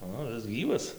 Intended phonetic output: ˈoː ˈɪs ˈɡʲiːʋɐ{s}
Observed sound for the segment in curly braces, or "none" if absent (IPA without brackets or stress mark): s